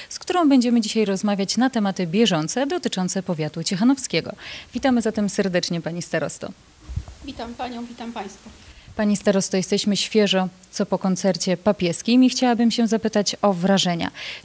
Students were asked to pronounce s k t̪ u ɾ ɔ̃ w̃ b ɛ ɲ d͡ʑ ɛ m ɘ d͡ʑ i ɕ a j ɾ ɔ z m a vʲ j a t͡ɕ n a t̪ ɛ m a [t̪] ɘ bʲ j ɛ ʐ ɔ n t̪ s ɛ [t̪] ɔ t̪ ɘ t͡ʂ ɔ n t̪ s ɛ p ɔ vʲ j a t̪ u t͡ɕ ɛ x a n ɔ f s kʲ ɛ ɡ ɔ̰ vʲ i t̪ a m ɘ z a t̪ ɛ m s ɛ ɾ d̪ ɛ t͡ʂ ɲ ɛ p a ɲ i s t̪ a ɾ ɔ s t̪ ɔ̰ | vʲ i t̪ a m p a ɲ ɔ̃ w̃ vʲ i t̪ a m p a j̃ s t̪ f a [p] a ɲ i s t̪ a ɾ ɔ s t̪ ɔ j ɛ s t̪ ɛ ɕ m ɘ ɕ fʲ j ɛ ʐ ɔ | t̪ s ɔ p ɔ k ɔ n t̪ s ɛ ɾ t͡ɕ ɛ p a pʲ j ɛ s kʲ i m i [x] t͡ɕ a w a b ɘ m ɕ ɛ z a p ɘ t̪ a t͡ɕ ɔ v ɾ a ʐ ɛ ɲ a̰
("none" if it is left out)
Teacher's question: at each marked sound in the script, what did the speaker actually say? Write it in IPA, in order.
t̪, d̪, p, x

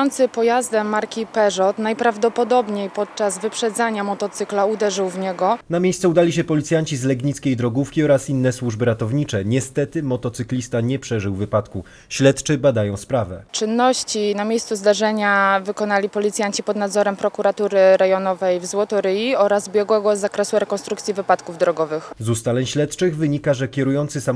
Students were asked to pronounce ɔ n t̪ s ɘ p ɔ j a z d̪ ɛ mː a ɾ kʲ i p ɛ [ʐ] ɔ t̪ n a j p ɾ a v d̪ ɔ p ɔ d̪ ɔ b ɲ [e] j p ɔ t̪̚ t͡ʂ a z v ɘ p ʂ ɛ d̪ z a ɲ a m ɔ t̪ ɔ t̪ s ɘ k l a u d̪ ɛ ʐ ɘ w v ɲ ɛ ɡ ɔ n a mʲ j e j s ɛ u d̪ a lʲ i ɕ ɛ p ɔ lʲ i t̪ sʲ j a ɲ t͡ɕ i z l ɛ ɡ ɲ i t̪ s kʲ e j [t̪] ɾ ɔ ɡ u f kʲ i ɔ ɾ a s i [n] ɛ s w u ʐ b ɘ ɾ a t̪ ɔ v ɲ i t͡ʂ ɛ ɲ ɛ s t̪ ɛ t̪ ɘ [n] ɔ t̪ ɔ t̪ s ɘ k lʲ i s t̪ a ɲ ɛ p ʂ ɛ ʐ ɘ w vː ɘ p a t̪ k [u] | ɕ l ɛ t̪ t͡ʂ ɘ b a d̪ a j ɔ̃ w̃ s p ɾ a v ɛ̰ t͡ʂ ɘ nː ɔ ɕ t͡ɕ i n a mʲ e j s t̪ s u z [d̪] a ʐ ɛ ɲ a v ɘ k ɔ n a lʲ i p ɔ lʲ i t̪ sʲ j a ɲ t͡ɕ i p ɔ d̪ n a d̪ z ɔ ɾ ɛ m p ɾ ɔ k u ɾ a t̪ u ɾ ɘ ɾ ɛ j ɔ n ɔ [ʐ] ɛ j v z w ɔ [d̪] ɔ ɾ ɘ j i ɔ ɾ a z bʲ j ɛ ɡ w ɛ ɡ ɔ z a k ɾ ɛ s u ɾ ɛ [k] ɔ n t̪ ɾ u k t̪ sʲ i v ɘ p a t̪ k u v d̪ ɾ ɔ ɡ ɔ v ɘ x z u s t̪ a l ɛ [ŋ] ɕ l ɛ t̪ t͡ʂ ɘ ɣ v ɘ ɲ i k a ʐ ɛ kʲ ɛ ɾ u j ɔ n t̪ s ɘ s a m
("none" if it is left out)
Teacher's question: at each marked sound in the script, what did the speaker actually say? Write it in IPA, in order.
ʐ, e, d̪, nː, m, u, d̪, v, t̪, k, ɲ

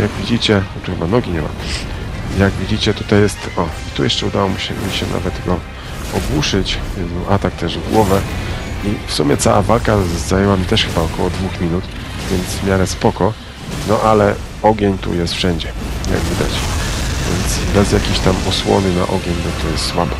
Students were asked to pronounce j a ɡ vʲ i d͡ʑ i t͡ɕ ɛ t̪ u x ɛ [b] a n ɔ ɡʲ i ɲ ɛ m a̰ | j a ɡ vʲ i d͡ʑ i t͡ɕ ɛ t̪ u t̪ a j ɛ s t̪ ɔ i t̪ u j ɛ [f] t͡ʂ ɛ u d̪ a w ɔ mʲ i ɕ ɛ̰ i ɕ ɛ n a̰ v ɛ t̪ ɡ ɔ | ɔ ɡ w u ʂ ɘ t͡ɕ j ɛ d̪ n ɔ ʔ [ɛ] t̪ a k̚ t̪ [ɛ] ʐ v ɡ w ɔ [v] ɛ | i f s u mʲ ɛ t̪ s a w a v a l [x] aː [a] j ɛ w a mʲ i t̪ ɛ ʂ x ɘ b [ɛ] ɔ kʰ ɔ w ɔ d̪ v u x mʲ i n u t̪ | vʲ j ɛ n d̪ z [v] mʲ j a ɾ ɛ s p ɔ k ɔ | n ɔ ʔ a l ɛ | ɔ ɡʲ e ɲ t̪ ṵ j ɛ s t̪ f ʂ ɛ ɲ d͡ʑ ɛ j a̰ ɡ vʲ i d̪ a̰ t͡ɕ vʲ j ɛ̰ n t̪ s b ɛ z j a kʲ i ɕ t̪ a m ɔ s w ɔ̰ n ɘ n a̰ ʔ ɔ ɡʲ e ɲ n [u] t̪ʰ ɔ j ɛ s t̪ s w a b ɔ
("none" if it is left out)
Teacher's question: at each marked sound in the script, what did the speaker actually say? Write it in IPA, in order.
b, ʂ, a, ɛ, v, k, a, a, v, ɔ

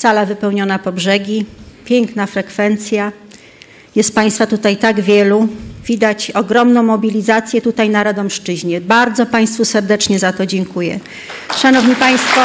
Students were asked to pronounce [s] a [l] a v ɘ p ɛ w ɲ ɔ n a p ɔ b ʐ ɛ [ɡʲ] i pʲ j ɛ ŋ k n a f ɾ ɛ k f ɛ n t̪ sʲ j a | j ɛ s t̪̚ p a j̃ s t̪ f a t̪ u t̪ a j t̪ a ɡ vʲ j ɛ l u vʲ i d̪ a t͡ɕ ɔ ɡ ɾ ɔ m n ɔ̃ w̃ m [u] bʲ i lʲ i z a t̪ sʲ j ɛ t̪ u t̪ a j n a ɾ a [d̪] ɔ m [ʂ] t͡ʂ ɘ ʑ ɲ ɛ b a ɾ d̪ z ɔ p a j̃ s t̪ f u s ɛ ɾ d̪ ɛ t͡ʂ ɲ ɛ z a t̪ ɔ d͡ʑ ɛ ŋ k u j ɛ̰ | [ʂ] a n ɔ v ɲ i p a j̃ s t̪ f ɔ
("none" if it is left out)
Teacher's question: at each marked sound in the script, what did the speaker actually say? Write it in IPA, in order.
s, l, ɡʲ, ɔ, d̪, ʂ, ʂ

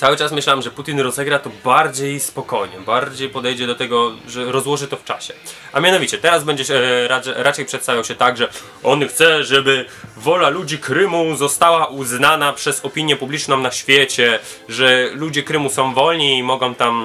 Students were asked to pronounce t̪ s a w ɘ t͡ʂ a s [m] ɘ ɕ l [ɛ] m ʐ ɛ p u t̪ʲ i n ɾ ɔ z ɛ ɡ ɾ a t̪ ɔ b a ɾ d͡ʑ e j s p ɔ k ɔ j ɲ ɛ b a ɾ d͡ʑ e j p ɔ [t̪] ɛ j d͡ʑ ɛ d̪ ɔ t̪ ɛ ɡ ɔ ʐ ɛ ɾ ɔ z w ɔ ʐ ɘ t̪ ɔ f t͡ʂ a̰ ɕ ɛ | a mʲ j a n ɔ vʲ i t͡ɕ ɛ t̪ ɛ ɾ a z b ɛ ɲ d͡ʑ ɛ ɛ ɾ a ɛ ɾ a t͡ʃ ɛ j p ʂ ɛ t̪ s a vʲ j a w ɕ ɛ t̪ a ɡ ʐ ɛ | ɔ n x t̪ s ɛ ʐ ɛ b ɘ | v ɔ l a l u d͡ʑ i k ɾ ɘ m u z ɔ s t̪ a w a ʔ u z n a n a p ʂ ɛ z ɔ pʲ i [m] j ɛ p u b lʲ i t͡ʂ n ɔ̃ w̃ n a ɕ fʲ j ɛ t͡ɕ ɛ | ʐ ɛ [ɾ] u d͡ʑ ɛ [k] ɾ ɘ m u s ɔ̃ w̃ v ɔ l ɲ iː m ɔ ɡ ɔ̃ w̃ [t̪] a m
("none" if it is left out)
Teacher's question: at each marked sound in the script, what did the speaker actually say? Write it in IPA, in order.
m, a, d̪, ɲ, l, k, t̪

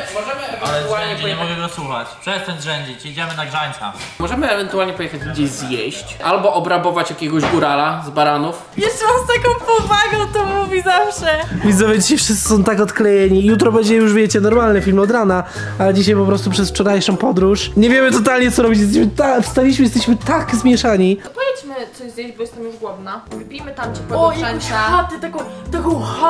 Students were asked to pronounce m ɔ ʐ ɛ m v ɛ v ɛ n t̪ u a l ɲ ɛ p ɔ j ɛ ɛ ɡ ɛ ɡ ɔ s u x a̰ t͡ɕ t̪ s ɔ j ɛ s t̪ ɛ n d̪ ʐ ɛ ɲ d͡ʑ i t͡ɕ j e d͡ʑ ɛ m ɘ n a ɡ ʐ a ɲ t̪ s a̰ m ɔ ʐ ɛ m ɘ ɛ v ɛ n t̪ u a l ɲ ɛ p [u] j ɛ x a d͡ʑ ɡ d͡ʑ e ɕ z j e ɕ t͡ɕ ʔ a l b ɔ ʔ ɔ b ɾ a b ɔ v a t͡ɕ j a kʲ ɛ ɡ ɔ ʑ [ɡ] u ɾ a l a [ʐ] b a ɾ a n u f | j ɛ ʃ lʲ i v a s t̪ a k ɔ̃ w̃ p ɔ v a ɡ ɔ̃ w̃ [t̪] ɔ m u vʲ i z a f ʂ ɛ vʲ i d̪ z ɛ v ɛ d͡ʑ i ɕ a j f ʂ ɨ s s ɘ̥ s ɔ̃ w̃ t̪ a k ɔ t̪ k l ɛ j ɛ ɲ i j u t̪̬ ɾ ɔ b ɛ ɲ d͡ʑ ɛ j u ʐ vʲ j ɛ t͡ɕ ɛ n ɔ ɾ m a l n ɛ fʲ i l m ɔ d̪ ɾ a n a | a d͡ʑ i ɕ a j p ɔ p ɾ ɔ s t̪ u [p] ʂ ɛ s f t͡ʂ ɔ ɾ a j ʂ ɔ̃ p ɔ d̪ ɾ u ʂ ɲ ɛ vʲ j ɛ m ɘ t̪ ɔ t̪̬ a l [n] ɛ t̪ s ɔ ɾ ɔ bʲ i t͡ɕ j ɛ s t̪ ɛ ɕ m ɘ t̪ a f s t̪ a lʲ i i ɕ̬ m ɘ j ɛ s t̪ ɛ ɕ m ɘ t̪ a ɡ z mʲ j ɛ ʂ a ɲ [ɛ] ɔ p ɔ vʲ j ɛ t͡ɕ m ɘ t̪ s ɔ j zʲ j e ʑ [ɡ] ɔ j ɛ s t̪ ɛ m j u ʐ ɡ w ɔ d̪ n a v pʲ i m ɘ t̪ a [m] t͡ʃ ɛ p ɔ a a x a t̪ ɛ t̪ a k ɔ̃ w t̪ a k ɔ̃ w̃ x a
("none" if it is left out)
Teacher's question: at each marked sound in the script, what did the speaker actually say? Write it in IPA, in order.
ɔ, ɡ, z, t̪, p, ɲ, i, b, m

